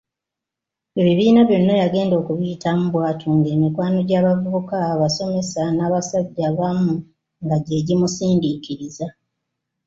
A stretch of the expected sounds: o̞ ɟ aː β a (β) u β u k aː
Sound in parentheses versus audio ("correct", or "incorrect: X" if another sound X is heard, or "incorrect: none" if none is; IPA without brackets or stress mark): incorrect: v